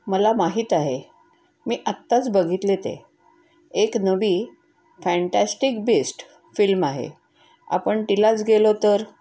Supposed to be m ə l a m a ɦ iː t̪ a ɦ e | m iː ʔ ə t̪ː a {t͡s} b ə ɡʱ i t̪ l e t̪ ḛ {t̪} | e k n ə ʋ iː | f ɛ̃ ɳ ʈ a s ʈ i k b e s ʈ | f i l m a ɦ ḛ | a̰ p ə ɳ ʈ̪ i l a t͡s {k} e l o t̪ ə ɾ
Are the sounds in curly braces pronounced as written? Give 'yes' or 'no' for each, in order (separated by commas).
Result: yes, no, no